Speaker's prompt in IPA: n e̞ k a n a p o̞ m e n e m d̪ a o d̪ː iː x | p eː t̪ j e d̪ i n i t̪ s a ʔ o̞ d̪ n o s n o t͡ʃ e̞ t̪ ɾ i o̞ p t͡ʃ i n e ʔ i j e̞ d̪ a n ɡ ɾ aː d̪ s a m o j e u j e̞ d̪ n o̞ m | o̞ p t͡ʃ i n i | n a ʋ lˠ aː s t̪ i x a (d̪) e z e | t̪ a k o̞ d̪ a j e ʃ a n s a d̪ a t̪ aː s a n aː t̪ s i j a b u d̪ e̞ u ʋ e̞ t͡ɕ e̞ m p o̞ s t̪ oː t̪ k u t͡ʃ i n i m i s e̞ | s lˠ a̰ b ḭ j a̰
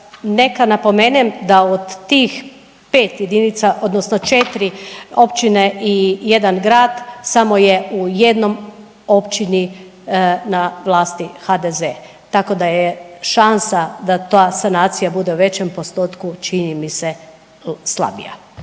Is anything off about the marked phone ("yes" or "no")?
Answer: no